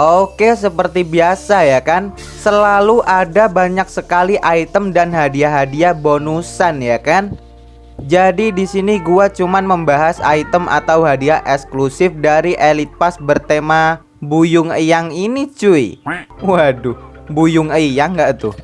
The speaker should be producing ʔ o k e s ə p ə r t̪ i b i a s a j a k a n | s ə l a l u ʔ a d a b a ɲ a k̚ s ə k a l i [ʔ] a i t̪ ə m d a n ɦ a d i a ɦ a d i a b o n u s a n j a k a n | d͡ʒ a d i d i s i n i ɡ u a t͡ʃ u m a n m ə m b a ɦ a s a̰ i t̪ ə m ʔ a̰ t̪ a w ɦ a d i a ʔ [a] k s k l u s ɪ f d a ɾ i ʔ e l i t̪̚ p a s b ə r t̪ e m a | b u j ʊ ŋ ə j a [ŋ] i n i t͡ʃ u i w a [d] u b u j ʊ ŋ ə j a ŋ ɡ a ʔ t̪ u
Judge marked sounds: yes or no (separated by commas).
yes, no, yes, yes